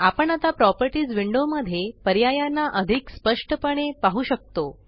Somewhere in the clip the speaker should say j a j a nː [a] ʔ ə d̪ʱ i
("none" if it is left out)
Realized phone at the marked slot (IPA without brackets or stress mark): a